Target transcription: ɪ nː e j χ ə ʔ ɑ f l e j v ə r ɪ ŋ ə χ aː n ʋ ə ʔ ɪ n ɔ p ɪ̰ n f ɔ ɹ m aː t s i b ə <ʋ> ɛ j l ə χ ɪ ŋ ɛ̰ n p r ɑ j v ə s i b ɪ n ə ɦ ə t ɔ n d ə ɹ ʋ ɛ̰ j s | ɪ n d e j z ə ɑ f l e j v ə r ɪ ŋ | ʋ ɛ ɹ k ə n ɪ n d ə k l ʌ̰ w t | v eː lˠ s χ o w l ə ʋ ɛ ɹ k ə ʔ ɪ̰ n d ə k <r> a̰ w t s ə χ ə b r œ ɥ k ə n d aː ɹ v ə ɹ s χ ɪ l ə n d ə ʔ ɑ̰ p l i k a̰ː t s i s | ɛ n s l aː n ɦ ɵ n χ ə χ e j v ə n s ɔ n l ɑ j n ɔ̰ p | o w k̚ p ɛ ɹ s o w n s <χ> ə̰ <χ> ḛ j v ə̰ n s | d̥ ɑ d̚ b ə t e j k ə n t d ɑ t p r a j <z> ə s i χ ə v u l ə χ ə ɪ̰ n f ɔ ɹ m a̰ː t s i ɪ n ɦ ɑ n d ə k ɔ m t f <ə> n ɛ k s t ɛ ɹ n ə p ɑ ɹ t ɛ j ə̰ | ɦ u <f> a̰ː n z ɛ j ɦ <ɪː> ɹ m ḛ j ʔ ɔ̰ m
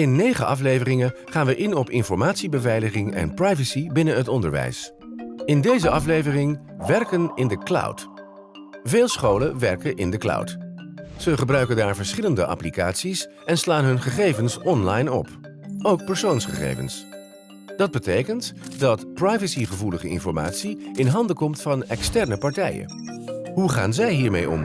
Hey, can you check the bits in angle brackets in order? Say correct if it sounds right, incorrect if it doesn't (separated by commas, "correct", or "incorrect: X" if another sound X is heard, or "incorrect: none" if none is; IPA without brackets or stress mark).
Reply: incorrect: v, incorrect: l, correct, correct, incorrect: v, incorrect: ɑ, incorrect: χ, incorrect: iː